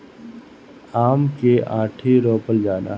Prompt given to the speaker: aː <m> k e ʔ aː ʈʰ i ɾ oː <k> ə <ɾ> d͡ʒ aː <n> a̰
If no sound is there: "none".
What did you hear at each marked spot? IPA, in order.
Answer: m, p, l, n

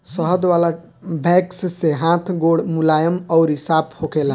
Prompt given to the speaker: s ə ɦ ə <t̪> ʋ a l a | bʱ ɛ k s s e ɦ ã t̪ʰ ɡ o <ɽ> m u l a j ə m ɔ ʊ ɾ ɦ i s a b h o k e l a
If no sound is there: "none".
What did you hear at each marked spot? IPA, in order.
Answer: d̪, ɽ

